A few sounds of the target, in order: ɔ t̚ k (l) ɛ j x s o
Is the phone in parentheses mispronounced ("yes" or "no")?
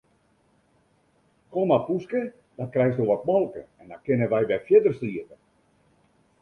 yes